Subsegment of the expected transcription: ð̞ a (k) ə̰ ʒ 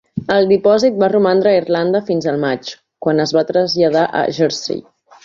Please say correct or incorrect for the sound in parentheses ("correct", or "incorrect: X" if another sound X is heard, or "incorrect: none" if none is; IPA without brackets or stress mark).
incorrect: ʔ